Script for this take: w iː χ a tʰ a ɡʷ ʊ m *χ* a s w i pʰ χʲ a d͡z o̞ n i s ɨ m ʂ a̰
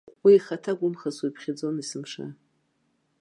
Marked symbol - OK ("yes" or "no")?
yes